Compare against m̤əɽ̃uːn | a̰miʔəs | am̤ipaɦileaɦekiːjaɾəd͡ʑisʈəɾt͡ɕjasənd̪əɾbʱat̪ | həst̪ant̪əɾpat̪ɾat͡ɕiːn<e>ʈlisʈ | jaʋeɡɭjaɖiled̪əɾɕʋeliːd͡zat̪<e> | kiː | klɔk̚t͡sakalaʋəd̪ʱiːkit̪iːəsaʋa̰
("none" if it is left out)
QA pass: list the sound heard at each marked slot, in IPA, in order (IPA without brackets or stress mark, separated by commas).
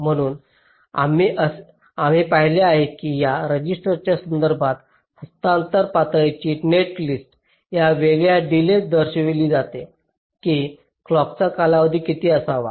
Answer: e, e